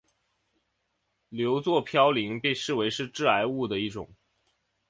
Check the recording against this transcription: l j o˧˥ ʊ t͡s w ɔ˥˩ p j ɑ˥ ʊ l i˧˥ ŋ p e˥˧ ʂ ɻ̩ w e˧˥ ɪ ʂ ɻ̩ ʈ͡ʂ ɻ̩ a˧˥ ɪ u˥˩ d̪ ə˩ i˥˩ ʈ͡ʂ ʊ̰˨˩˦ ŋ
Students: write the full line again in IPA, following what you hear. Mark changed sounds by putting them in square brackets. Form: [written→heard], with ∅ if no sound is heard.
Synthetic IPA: l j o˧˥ ʊ t͡s w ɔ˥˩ [p→pʰ] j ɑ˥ ʊ l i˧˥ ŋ p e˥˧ ʂ ɻ̩ w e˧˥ ɪ ʂ ɻ̩ ʈ͡ʂ ɻ̩ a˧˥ ɪ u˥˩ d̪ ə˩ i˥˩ ʈ͡ʂ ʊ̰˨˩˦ ŋ